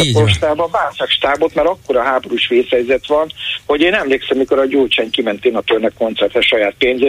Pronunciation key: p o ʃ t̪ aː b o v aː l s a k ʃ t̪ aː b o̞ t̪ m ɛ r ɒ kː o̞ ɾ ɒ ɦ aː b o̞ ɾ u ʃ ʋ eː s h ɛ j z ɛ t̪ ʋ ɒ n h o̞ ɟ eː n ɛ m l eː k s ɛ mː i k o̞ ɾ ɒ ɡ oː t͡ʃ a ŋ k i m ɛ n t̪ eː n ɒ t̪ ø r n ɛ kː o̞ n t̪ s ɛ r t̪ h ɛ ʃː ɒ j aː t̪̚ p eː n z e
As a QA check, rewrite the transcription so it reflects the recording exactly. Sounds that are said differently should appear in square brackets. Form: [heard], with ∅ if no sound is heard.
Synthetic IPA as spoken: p o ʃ t̪ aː b [ɒ] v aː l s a k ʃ t̪ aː b o̞ t̪ m ɛ [ɾ] ɒ kː o̞ ɾ ɒ ɦ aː b o̞ ɾ u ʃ ʋ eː s h ɛ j z ɛ t̪ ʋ ɒ n h o̞ ɟ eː n ɛ m l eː k s ɛ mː i k o̞ ɾ ɒ [ɟ] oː t͡ʃ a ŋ k i m ɛ n t̪ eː n ɒ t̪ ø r n ɛ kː o̞ n t̪ s ɛ r t̪ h ɛ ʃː ɒ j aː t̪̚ p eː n z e